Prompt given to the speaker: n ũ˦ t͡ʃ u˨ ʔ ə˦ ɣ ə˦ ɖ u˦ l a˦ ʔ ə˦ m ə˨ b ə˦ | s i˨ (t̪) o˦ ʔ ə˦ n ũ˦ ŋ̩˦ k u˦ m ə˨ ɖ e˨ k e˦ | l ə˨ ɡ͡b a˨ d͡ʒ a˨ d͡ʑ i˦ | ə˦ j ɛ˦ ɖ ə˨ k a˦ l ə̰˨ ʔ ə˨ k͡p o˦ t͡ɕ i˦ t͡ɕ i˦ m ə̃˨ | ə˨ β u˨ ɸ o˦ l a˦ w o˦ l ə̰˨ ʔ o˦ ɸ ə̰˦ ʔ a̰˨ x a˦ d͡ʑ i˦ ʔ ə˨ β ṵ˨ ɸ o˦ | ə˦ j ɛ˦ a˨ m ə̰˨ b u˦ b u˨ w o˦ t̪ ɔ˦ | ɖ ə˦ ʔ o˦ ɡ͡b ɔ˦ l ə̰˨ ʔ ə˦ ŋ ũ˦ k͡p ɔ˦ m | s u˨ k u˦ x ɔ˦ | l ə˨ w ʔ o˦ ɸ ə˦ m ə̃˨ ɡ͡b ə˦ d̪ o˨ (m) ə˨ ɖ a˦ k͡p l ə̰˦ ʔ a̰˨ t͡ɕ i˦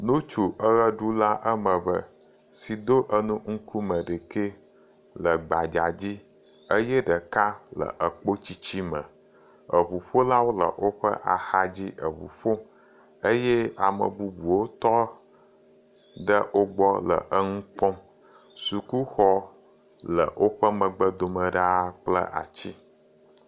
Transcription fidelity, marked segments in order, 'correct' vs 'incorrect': incorrect: d̪, correct

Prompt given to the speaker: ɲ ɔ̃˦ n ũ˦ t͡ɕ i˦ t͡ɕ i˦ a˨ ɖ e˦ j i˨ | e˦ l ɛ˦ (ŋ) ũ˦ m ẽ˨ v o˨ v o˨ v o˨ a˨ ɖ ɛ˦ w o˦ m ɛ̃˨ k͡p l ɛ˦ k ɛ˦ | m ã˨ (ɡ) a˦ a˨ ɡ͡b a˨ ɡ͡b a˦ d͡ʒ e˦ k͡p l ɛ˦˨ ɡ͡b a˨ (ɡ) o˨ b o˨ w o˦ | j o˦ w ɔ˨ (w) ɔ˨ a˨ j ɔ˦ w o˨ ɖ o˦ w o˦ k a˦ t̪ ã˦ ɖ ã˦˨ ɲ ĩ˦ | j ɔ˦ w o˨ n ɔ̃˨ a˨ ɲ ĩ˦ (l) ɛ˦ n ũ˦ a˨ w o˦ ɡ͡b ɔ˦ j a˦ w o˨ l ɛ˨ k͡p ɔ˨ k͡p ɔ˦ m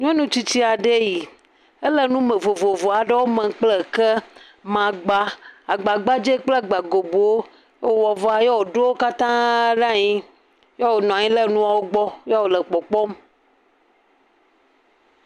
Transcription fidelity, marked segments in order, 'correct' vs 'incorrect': incorrect: n, incorrect: ɡ͡b, correct, incorrect: v, correct

